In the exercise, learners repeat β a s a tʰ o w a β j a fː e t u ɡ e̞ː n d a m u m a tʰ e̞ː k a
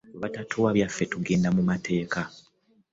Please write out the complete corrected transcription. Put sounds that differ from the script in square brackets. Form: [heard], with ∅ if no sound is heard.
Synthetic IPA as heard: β a [t] a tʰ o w a β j a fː e t u ɡ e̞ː n d a m u m a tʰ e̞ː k a